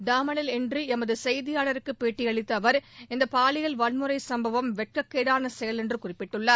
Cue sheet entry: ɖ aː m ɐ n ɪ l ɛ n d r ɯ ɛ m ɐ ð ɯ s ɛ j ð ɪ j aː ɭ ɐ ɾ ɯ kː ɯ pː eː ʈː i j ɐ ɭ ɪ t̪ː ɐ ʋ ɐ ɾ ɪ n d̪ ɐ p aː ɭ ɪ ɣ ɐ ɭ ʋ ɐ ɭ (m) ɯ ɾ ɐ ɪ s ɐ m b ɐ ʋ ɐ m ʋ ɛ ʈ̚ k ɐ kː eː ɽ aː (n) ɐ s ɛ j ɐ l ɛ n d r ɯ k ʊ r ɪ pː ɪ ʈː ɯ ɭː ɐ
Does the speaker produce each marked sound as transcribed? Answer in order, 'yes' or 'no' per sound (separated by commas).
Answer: yes, yes